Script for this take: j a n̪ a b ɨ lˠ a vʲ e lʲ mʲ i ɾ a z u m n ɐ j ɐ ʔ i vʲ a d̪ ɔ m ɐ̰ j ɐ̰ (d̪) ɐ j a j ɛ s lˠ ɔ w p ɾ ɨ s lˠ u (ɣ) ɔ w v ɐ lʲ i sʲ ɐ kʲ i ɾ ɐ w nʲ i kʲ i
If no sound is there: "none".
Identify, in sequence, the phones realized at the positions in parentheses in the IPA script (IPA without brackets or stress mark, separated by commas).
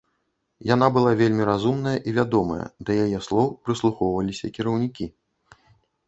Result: d̪, x